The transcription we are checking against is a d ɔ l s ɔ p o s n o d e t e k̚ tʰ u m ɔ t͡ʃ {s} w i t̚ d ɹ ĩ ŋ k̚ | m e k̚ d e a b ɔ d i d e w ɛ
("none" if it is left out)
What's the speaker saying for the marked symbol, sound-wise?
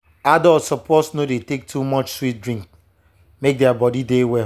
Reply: s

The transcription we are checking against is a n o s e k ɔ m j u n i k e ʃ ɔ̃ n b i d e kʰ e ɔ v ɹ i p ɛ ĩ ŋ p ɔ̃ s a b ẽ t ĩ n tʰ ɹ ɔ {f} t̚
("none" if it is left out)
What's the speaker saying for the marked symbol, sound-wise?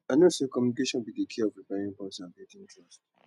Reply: s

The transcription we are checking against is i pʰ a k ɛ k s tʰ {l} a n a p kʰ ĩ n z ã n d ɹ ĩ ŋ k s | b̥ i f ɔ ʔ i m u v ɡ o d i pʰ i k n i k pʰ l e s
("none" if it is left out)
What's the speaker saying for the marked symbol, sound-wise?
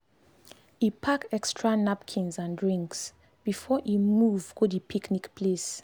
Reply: ɹ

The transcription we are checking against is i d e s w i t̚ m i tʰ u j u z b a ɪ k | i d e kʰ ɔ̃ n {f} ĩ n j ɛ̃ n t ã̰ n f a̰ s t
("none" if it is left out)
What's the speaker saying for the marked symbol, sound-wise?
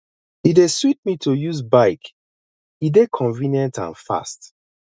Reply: v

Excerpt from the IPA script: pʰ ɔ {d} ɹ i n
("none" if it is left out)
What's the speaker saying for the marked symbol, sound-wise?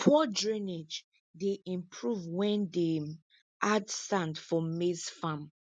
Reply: d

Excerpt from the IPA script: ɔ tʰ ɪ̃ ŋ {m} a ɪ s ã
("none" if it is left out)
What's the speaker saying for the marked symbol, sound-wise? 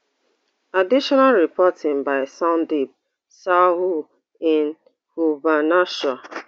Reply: b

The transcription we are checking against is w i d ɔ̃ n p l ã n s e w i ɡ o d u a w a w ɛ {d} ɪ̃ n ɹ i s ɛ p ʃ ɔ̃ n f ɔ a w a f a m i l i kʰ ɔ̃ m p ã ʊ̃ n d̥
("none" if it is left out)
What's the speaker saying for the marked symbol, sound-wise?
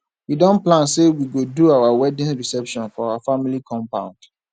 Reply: d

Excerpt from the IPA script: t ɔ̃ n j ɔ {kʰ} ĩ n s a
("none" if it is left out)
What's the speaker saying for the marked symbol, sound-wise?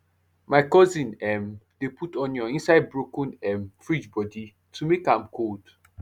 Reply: none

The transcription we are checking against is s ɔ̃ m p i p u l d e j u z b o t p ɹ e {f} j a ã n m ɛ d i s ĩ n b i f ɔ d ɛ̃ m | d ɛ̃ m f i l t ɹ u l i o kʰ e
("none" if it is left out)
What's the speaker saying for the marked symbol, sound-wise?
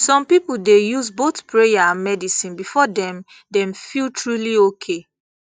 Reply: none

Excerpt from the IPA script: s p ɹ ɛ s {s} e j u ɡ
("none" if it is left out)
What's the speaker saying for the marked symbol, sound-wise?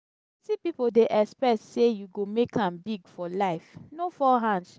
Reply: s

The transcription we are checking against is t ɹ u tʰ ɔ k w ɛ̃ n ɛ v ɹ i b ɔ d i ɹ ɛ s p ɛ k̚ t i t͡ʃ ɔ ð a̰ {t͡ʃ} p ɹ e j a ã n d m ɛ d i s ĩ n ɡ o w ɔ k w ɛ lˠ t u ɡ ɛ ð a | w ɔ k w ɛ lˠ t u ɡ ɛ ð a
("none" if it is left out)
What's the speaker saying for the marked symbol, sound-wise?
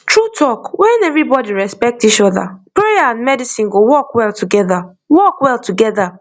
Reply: none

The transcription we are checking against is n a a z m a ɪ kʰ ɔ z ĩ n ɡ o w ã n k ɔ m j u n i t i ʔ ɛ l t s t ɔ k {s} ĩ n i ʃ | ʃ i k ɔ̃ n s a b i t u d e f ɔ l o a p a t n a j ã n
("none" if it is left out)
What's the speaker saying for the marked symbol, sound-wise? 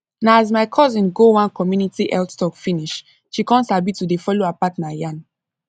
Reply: f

